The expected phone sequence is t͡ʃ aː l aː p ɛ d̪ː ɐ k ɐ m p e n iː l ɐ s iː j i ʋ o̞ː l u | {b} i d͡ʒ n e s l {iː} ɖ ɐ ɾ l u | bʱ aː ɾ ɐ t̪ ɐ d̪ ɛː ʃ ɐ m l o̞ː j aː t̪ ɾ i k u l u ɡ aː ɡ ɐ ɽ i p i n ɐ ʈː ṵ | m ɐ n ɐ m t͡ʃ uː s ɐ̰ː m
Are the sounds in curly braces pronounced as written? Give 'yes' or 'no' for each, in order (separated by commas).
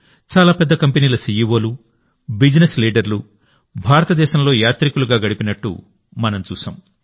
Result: yes, yes